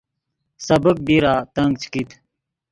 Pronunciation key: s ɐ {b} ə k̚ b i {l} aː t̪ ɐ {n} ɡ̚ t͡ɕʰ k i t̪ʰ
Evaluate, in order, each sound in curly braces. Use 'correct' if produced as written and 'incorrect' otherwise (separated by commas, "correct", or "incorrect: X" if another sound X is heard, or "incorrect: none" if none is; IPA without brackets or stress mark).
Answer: correct, incorrect: ɾ, incorrect: ŋ